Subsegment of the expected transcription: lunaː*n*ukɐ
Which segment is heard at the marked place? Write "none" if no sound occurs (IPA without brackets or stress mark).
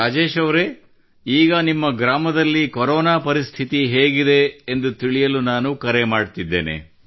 n